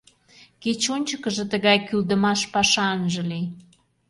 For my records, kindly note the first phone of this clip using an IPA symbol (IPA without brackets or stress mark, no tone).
k